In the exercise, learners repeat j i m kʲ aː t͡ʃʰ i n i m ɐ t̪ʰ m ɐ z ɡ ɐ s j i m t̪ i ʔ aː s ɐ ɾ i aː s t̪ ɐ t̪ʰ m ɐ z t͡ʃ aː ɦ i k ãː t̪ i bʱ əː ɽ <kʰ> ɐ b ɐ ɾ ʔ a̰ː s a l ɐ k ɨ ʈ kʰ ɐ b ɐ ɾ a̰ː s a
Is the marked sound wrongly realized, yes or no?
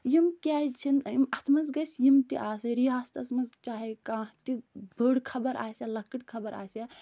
no